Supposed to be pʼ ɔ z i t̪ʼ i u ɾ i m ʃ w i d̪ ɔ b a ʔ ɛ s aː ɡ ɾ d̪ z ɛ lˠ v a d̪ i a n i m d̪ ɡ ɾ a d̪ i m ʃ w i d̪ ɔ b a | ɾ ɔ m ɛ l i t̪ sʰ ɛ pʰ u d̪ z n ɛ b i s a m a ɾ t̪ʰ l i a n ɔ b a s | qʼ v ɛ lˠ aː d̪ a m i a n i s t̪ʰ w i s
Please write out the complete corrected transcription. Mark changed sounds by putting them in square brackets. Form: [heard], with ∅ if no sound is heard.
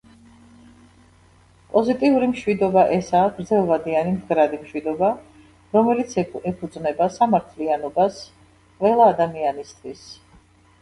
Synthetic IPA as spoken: pʼ ɔ z i t̪ʼ i u ɾ i m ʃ w i d̪ ɔ b a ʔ ɛ s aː ɡ ɾ d̪ z ɛ lˠ v a d̪ i a n i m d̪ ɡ ɾ a d̪ i m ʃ w i d̪ ɔ b a | ɾ ɔ m ɛ l i t̪ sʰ ɛ pʰ u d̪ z n ɛ b [a] s a m a ɾ t̪ʰ l i a n ɔ b a s | qʼ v ɛ lˠ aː d̪ a m i a n i s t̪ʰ w i s